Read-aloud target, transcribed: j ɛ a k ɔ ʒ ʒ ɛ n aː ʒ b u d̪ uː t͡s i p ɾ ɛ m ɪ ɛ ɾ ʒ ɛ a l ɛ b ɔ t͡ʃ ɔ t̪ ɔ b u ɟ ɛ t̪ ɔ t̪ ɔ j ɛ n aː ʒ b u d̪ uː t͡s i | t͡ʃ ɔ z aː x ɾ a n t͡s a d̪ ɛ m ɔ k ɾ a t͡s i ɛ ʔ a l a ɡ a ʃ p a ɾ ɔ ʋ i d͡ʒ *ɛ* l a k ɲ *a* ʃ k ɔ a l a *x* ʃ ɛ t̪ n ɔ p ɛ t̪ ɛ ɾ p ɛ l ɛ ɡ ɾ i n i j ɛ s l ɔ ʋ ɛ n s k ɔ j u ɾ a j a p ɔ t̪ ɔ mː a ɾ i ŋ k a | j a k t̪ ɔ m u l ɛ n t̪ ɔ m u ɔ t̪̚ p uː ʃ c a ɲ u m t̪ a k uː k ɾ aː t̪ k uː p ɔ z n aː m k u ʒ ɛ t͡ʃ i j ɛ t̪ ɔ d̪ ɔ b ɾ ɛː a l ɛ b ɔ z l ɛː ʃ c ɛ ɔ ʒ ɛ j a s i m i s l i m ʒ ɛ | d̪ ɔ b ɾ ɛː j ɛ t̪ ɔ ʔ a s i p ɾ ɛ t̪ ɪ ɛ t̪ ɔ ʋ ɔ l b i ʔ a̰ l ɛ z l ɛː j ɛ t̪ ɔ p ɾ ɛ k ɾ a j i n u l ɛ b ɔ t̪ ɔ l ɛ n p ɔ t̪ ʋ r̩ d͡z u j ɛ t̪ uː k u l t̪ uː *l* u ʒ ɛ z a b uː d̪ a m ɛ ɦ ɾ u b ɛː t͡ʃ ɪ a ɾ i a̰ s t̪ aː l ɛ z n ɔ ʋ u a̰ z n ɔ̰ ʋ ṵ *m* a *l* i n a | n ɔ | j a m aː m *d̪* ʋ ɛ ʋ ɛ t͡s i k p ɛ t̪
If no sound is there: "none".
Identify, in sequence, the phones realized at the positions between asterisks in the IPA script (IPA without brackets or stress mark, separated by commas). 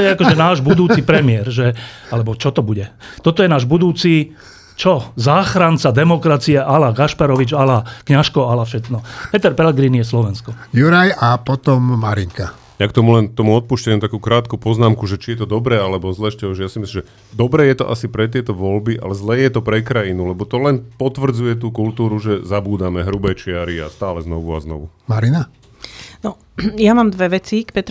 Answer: a, a, f, ɾ, m, ɾ, d̪